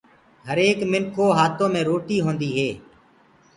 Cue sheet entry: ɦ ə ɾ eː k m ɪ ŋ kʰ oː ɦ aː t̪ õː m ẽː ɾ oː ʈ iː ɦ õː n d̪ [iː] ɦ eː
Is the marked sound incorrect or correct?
correct